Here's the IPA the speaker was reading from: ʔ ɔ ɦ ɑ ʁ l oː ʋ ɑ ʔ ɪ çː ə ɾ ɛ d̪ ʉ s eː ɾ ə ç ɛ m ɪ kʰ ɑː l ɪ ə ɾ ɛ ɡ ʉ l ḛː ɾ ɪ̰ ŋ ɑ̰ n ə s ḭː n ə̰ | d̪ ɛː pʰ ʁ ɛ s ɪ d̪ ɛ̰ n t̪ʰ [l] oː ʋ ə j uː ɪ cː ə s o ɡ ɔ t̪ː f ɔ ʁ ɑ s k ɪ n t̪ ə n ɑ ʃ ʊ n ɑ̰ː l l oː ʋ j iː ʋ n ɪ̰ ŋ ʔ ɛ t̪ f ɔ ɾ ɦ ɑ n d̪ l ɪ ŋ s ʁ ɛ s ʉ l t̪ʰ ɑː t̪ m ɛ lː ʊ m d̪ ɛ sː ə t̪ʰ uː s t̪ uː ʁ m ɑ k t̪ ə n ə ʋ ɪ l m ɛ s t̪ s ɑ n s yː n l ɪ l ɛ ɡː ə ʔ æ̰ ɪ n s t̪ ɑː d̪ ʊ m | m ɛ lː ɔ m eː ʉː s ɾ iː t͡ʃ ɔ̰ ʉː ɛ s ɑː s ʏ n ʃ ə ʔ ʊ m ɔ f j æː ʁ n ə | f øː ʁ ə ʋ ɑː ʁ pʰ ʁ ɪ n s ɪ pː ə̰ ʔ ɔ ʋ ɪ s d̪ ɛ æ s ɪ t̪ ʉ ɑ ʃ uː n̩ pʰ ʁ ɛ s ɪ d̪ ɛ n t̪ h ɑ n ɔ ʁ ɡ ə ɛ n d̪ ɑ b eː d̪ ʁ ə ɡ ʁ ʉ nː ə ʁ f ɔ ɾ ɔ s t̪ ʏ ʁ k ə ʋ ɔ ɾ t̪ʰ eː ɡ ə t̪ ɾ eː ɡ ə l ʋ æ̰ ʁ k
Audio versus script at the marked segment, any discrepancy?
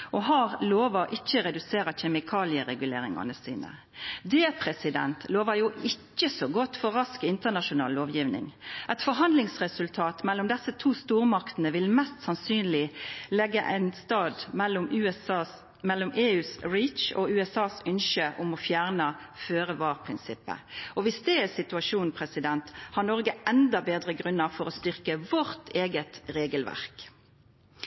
no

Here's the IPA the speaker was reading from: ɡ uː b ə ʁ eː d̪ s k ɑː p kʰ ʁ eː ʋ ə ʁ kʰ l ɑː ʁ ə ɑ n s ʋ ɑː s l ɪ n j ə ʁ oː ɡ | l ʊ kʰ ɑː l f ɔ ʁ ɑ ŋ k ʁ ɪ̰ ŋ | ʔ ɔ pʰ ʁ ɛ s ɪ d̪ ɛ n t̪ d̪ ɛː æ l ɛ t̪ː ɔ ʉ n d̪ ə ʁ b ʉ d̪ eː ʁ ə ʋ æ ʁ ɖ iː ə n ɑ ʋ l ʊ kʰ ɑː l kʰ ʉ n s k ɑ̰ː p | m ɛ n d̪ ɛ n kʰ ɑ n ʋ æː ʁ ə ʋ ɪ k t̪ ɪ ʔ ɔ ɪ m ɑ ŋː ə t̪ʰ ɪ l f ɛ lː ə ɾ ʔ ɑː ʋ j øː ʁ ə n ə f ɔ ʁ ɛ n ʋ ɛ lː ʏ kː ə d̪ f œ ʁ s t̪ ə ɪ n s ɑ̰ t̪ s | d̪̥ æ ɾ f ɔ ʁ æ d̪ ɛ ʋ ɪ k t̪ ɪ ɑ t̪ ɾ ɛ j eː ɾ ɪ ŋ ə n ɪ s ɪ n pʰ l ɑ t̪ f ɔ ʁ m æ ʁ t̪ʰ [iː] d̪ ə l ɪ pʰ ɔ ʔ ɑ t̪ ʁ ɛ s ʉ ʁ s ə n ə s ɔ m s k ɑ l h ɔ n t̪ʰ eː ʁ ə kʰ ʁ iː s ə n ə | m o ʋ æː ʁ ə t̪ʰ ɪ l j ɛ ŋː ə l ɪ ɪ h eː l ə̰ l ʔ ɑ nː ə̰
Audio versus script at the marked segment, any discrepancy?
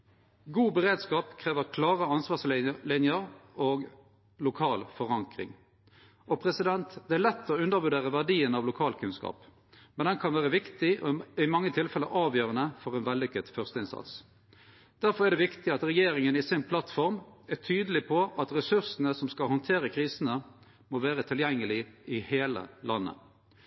yes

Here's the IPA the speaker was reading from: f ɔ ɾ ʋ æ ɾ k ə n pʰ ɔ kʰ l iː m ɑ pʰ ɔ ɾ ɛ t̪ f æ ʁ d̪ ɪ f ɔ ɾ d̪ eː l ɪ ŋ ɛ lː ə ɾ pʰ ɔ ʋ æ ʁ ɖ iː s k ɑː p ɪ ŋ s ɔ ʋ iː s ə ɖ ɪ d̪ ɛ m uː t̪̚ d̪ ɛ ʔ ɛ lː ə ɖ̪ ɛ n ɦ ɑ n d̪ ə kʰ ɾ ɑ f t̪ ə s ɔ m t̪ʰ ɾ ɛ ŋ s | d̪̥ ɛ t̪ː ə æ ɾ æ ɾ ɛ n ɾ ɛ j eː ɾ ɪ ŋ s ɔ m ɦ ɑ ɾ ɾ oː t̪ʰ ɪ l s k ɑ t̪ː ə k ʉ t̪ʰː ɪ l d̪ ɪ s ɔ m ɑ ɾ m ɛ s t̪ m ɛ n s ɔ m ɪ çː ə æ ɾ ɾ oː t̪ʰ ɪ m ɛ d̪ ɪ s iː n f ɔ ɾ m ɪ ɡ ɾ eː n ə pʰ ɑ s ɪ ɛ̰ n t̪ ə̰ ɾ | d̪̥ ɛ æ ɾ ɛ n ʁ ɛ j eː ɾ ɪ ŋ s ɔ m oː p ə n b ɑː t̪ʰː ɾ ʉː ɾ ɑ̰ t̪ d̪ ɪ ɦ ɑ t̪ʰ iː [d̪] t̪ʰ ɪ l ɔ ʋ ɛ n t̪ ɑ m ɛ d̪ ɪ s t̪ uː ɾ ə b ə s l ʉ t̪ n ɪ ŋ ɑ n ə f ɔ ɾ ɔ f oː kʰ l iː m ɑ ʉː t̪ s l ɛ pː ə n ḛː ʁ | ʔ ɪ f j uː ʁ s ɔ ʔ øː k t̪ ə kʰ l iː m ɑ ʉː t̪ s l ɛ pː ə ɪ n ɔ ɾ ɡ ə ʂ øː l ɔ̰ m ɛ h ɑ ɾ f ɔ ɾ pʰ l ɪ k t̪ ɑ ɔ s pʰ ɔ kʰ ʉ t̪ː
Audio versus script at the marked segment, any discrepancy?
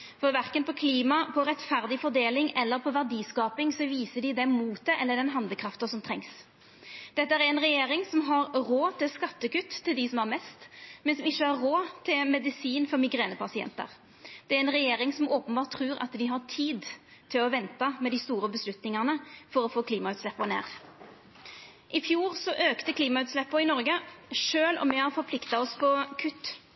no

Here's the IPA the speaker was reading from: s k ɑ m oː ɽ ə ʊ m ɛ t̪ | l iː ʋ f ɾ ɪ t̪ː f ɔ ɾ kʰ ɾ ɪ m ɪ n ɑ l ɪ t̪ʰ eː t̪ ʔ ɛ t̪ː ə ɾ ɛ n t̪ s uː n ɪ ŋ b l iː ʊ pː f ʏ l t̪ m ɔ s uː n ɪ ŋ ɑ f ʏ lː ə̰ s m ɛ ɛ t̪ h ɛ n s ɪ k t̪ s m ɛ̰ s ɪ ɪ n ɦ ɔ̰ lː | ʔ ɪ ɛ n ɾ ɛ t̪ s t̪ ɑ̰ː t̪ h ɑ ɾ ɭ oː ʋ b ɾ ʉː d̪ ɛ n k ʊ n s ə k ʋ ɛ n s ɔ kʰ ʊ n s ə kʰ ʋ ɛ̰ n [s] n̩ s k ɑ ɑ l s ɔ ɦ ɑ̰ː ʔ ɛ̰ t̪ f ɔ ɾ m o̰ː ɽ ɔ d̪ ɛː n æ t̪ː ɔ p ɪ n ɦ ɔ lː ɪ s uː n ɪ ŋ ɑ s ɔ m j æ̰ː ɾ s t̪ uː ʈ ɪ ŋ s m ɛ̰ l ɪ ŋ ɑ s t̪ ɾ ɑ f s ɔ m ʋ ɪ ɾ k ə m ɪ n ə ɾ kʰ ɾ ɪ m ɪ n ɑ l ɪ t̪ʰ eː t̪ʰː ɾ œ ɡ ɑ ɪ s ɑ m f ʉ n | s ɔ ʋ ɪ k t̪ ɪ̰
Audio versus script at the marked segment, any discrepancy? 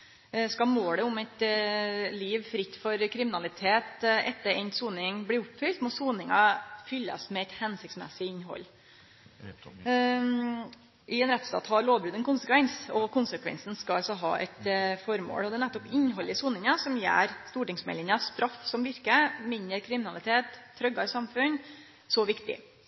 no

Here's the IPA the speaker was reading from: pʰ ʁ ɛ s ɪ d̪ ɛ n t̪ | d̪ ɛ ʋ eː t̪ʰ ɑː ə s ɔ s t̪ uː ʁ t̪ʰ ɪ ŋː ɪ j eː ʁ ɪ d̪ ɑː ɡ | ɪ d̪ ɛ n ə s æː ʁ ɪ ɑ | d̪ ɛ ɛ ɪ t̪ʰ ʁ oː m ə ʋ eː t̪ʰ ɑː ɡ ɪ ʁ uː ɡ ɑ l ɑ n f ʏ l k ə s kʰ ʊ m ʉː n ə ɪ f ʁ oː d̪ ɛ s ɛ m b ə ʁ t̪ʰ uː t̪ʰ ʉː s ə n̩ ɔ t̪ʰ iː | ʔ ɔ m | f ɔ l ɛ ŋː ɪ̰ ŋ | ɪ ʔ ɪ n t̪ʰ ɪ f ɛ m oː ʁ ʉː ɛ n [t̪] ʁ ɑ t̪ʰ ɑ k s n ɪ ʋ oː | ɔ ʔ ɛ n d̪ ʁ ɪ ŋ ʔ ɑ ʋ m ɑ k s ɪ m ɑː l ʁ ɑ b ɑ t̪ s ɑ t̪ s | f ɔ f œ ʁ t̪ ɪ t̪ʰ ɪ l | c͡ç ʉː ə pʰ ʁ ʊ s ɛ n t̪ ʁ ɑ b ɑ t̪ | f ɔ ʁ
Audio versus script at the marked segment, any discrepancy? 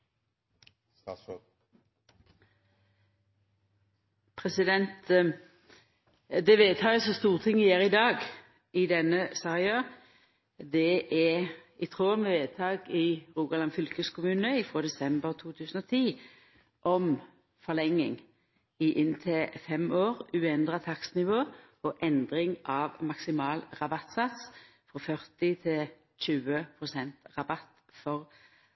yes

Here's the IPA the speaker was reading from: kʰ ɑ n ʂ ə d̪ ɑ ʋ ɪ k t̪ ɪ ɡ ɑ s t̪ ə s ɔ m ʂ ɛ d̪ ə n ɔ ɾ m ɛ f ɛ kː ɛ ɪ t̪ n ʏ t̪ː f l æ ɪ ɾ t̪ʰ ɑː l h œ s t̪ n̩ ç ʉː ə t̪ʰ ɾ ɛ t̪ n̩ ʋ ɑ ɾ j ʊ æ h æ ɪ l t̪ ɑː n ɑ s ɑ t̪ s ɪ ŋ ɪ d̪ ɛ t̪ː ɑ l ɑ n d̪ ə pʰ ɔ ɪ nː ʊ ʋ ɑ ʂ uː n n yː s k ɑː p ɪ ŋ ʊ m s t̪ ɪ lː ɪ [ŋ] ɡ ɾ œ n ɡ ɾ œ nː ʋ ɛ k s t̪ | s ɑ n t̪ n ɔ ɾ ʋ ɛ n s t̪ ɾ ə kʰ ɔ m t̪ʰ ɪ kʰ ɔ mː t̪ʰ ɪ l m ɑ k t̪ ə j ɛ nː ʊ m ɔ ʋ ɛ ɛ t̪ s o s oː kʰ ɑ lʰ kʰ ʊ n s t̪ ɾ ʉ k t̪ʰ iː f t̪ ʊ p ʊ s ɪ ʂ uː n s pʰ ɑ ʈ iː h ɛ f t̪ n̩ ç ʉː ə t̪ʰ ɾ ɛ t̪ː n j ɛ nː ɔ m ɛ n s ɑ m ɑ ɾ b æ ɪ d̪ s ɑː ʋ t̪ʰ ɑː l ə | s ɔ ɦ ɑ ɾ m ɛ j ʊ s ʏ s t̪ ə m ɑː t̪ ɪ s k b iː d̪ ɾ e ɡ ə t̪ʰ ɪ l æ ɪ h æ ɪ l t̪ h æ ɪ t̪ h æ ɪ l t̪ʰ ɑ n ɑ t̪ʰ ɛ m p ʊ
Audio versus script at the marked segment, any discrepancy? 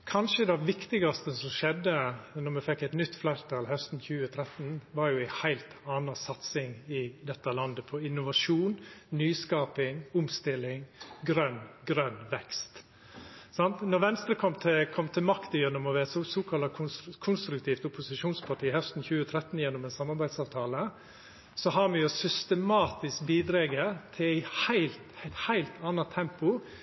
no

